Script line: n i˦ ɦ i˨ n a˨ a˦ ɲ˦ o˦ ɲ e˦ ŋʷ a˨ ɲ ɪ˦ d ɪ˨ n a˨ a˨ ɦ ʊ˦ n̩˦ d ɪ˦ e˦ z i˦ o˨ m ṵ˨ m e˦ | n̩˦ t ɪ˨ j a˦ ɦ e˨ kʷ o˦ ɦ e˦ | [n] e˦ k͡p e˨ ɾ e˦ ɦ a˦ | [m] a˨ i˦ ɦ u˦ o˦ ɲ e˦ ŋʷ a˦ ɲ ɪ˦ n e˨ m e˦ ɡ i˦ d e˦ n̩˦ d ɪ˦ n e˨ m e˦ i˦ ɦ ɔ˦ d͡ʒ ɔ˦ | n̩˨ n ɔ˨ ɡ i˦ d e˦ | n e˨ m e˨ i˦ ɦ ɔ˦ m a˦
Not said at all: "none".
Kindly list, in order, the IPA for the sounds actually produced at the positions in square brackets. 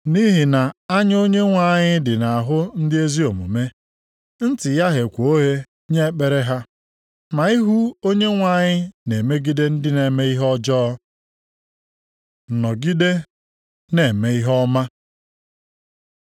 ɲ, m

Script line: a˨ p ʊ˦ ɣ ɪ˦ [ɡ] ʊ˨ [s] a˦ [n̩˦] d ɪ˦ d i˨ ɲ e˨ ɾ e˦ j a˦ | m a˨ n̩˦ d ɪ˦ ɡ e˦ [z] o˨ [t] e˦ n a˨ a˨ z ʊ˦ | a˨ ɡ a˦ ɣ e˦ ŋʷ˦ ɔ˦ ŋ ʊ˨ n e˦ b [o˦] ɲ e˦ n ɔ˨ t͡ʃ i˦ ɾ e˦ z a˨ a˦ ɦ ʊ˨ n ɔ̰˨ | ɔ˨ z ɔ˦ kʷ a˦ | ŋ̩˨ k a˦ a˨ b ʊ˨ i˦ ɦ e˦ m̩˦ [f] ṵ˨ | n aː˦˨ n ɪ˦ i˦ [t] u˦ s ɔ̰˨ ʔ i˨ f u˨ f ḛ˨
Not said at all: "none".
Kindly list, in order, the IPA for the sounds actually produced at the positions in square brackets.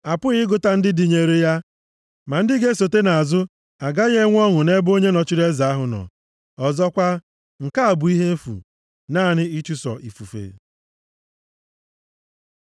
ɡ, t, n̩˦, s, t, o˦, f, t͡ʃ

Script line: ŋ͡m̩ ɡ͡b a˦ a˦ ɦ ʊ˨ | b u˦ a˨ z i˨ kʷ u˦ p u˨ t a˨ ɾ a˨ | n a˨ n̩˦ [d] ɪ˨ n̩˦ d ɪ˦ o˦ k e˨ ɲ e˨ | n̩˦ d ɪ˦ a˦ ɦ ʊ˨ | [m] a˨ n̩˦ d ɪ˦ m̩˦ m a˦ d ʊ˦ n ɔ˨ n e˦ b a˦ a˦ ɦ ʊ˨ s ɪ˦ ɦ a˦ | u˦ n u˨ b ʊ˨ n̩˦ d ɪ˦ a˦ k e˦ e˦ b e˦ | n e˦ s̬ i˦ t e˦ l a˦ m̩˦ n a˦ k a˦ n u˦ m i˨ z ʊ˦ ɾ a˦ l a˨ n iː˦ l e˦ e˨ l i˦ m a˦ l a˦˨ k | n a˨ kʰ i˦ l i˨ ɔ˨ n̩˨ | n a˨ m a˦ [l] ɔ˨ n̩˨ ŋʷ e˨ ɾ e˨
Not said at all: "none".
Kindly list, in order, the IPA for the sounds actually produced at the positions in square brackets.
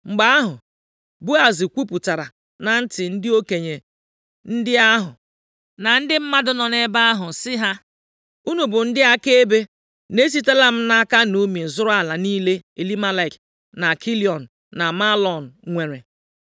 t, n, l

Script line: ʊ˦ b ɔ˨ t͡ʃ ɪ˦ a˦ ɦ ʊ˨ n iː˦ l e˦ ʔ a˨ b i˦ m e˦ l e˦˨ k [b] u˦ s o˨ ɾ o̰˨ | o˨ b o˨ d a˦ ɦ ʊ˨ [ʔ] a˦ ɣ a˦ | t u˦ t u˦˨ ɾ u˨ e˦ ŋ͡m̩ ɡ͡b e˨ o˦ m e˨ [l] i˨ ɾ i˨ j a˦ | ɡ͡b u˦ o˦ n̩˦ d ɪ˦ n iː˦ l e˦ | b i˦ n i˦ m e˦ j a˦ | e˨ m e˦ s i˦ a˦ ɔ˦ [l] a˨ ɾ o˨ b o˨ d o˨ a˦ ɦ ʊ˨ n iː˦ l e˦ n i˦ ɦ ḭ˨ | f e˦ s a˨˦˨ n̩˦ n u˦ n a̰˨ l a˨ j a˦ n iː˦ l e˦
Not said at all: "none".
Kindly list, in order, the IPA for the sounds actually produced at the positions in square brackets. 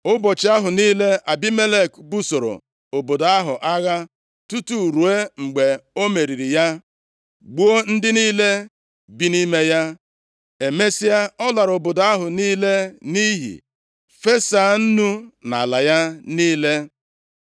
b, ʔ, ɾ, l

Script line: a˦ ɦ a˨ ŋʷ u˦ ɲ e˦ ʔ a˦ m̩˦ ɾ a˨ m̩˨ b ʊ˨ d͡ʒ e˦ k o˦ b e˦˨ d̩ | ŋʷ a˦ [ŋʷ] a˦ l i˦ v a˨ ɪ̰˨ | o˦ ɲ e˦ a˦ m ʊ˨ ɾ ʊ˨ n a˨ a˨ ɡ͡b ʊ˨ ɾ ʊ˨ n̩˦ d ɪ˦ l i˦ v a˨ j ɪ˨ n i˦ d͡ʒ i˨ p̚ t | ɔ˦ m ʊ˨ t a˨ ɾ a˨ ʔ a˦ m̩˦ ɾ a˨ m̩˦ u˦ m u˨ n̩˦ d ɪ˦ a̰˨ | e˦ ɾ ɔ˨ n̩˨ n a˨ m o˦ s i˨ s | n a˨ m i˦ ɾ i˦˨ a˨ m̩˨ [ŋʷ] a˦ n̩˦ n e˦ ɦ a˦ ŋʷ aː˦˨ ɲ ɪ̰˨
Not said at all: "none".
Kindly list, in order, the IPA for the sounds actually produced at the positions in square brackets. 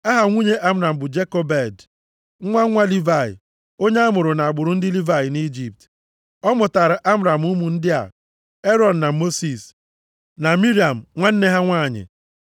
ŋʷ, ŋʷ

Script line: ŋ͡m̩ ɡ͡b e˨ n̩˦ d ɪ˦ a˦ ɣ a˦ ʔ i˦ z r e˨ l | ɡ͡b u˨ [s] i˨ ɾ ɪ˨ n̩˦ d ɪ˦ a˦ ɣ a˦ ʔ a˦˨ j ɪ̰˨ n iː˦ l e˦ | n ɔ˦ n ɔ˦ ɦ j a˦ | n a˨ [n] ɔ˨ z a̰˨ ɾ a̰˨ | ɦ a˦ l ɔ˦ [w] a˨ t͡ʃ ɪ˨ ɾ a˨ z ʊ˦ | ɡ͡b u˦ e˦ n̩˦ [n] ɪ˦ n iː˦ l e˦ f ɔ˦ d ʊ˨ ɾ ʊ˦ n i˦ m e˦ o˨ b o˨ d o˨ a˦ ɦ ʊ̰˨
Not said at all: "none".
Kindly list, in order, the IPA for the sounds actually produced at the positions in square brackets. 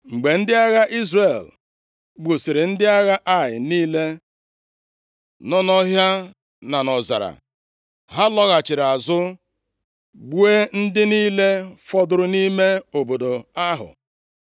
s, n, ɣ, d

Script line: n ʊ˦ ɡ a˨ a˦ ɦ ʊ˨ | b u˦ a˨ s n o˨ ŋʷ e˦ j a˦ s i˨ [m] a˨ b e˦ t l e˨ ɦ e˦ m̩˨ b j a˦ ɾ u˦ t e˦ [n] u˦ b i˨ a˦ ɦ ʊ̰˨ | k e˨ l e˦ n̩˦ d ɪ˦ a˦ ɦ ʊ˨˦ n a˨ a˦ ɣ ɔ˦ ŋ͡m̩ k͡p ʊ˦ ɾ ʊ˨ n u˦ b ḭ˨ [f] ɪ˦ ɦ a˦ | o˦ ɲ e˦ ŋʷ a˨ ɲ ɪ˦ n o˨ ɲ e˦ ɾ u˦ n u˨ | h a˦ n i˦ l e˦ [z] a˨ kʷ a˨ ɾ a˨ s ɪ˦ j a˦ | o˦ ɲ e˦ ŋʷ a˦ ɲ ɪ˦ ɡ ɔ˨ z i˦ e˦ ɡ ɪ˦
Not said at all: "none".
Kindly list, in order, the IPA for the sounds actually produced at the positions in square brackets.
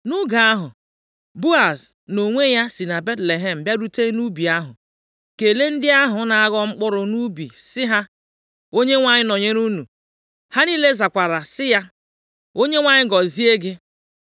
n, n, s, z

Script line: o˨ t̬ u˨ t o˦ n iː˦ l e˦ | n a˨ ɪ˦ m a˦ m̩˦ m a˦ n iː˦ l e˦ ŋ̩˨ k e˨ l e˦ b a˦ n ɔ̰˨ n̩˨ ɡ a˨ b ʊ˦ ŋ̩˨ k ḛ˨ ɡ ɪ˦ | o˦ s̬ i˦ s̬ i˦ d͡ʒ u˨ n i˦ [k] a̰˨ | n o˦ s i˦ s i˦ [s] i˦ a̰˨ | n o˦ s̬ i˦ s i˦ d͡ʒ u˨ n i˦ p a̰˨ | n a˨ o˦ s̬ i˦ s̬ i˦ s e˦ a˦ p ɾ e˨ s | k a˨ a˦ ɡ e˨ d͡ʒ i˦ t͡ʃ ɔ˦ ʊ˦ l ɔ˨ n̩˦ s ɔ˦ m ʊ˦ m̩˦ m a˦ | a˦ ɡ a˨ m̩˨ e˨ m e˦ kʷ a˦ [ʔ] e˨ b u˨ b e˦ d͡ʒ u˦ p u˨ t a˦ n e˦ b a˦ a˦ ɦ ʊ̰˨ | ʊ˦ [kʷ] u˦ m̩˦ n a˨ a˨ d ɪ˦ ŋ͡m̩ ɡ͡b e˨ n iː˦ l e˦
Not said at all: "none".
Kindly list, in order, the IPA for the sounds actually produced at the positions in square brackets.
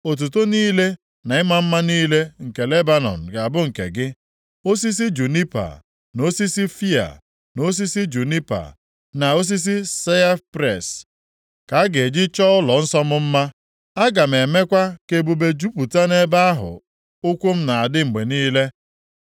p, f, k, kʷ

